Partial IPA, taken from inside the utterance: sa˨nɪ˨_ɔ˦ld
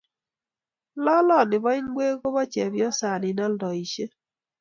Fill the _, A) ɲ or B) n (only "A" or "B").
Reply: B